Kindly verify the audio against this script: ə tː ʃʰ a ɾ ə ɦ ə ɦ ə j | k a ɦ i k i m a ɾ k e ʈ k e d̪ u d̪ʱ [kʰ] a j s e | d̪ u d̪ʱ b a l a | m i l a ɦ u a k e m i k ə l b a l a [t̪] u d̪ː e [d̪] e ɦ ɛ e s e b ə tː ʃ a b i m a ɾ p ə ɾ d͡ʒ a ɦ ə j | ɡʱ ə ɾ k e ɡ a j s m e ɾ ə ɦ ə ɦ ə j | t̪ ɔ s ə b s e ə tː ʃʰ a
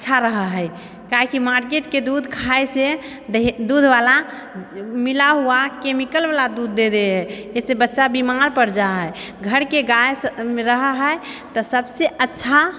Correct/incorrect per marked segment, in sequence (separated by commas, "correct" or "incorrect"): correct, incorrect, correct